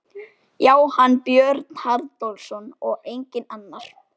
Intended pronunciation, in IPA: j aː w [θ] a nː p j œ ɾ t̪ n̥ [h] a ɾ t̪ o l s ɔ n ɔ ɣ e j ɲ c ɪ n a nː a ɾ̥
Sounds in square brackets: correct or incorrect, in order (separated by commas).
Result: incorrect, correct